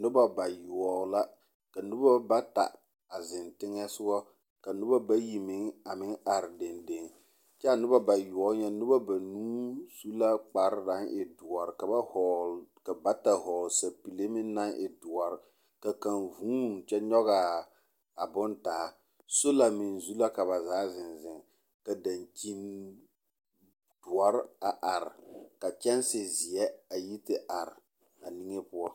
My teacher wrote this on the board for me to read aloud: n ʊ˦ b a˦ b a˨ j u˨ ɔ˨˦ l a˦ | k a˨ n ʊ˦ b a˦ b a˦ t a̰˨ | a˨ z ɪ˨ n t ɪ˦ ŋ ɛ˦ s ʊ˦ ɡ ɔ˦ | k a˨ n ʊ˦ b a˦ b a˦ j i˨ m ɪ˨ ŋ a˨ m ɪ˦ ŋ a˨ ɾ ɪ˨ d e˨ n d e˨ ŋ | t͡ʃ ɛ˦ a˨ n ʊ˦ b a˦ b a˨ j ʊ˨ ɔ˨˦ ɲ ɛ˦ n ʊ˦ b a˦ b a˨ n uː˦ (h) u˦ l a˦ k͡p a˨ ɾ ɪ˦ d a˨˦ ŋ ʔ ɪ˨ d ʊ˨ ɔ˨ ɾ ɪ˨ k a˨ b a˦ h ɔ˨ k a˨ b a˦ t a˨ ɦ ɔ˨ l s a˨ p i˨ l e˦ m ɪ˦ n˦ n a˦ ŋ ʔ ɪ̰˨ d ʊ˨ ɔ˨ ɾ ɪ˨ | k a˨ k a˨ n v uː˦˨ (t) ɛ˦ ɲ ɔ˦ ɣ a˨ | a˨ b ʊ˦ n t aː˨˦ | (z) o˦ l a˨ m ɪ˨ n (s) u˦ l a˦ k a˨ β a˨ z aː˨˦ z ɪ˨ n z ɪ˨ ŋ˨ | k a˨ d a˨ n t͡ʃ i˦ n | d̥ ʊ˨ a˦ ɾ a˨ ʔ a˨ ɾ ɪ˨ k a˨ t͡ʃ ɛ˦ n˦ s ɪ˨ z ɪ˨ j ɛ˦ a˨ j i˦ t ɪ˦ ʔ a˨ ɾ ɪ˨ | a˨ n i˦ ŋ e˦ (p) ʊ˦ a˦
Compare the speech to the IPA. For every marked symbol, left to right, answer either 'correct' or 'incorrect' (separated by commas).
incorrect, incorrect, incorrect, incorrect, correct